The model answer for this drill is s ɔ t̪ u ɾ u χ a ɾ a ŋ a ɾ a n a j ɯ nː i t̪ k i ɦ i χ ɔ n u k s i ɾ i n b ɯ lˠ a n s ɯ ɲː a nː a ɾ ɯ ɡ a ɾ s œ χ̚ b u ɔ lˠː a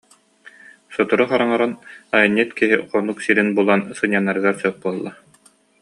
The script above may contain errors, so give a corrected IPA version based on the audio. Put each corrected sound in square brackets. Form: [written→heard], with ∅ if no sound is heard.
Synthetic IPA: s ɔ t̪ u ɾ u χ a ɾ a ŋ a ɾ a n a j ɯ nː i t̪ k i ɦ i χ ɔ n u k s i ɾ i n b [ɯ→u] lˠ a n s ɯ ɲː a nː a ɾ ɯ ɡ a ɾ s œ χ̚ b u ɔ lˠː a